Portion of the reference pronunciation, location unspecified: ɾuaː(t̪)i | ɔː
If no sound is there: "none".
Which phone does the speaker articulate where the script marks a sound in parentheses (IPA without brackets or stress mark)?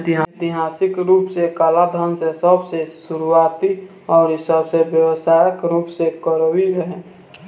t̪